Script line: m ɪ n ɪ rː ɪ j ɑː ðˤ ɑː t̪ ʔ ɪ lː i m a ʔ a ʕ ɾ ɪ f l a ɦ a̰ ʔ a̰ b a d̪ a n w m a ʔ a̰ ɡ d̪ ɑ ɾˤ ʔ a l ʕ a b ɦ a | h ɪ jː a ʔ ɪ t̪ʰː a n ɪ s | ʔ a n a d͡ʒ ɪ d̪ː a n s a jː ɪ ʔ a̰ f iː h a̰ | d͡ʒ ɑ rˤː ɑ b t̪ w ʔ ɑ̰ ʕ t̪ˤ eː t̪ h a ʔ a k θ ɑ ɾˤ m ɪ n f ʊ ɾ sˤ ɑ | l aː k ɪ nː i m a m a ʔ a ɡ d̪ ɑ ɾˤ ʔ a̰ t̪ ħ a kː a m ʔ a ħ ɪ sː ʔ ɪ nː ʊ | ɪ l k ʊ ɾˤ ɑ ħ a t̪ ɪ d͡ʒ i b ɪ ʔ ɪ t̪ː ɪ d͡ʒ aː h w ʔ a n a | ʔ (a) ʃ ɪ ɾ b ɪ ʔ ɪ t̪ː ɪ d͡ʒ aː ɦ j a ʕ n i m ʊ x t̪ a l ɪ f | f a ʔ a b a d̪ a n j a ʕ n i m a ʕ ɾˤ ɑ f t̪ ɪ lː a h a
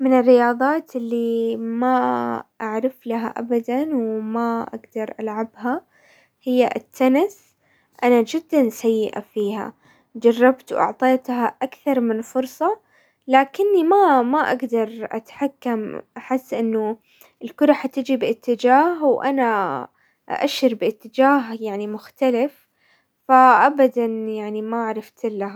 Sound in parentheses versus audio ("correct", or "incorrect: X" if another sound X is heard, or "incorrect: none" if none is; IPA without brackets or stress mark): correct